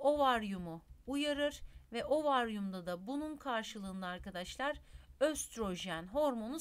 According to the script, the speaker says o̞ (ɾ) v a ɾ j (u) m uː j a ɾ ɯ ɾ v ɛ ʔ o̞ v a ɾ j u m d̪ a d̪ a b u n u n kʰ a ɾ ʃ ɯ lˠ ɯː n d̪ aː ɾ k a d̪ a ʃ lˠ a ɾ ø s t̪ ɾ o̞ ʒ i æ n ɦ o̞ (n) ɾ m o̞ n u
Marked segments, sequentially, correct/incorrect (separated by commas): incorrect, correct, incorrect